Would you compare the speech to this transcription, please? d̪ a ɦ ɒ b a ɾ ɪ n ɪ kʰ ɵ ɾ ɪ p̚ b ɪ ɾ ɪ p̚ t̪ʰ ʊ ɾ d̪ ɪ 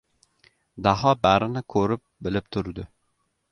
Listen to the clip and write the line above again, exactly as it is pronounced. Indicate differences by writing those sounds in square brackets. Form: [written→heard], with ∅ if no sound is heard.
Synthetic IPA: d̪ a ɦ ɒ b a ɾ ɪ n ɪ kʰ ɵ ɾ ɪ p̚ b ɪ [ɾ→l] ɪ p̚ t̪ʰ ʊ ɾ d̪ ɪ